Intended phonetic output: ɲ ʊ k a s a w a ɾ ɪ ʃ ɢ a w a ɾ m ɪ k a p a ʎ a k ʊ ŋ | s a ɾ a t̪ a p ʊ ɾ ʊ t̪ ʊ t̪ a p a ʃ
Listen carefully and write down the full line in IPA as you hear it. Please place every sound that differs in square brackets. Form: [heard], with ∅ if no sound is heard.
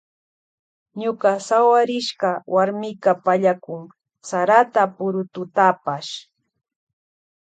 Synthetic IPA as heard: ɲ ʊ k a s a w a ɾ ɪ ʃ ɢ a w a ɾ m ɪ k a p a ʎ a k ʊ ŋ | s a ɾ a t̪ a p ʊ ɾ ʊ t̪ ʊ t̪ a p a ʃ